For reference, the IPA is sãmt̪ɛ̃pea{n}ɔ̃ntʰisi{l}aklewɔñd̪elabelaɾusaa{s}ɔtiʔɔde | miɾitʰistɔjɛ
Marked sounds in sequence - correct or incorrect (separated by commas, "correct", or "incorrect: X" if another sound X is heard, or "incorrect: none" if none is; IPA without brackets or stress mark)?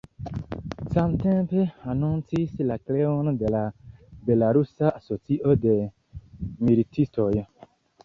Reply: correct, correct, correct